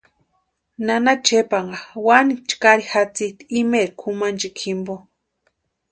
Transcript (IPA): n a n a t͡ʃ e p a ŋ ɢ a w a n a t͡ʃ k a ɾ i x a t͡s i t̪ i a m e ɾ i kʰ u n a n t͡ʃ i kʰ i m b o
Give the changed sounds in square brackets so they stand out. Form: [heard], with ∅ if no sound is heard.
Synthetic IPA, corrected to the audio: n a n a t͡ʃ e p a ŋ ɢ a w a n [i] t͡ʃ k a ɾ i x a t͡s i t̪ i [i] m e ɾ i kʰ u [m] a n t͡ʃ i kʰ i m b o